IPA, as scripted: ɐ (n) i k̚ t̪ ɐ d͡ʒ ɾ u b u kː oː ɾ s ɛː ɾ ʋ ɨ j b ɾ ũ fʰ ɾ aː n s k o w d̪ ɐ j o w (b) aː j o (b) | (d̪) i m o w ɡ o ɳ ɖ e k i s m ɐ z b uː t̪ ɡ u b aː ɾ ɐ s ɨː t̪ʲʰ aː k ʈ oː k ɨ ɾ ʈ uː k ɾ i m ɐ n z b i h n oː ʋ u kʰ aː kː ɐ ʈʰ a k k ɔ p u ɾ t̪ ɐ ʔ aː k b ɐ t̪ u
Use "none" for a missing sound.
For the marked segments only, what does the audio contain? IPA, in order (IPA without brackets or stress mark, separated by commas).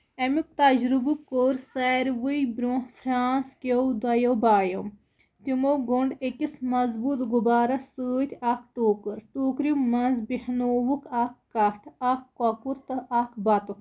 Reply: m, b, m, t̪